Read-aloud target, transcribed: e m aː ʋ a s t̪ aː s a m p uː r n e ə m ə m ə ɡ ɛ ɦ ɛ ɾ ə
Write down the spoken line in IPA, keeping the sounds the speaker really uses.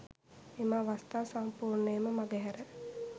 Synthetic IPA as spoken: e m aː ʋ a s t̪ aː s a m p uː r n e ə m ə m a ɡ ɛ ɦ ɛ ɾ ə